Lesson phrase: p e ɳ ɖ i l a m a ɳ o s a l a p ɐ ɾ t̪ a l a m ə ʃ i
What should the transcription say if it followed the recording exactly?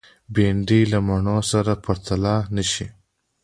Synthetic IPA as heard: b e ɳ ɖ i l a m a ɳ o s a ɾ a p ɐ ɾ t̪ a l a n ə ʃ i